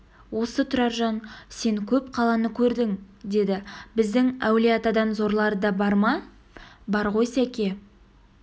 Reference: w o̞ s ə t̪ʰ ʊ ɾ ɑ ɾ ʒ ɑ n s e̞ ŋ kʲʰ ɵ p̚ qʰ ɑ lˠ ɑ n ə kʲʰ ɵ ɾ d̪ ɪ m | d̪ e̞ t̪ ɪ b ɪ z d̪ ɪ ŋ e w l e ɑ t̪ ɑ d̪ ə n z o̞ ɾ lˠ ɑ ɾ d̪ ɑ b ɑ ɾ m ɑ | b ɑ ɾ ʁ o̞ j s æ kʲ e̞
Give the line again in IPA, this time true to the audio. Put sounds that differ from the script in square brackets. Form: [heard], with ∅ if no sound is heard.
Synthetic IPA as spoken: w o̞ s ə t̪ʰ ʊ ɾ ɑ ɾ ʒ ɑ n s e̞ ŋ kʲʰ ɵ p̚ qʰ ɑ lˠ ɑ n ə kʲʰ ɵ ɾ d̪ ɪ [ŋ] | d̪ e̞ [d̪] ɪ b ɪ z d̪ ɪ ŋ [æ] w l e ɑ t̪ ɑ d̪ [ɑ] n z o̞ ɾ lˠ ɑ ɾ d̪ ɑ b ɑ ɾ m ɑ | b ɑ ɾ ʁ o̞ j s æ kʲ e̞